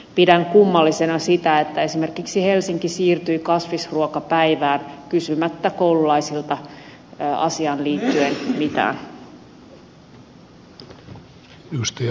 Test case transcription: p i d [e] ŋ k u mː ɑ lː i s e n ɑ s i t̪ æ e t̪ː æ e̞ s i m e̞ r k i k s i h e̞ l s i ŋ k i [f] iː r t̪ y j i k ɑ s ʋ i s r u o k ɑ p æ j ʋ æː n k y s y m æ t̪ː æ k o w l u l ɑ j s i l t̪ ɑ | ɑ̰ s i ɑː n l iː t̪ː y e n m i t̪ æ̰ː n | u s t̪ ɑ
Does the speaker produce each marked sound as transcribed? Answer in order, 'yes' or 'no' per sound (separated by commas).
no, no